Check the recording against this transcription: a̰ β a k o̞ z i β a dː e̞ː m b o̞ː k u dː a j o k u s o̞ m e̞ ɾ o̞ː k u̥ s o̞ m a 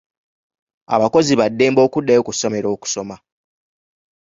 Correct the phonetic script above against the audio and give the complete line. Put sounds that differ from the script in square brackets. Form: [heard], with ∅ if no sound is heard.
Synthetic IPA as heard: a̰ β a k o̞ z i β a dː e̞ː m b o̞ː k u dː a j o k u s o̞ m e̞ ɾ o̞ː k u̥ s o̞ m a